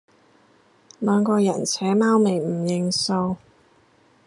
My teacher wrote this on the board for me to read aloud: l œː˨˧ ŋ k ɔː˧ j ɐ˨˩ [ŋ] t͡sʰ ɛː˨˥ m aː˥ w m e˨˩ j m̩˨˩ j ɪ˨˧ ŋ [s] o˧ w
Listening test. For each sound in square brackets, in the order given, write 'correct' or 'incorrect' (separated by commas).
incorrect, correct